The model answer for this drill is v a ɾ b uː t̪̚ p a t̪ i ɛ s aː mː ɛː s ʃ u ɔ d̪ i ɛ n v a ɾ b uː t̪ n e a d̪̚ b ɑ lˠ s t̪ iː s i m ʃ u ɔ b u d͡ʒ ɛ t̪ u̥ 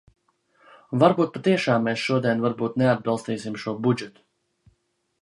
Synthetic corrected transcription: v a ɾ b uː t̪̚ p a t̪ i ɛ ʃ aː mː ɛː s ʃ u ɔ d̪ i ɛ n v a ɾ b uː t̪ n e a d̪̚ b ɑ lˠ s t̪ iː s i m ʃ u ɔ b u d͡ʒ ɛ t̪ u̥